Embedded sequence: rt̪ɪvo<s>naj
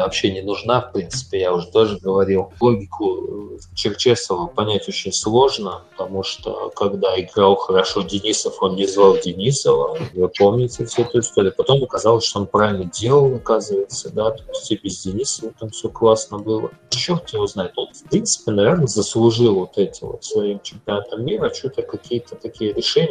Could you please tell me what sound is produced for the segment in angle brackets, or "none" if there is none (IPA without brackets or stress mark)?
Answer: z